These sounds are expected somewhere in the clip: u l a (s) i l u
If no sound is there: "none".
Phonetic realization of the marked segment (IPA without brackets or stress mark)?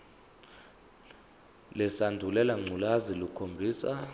z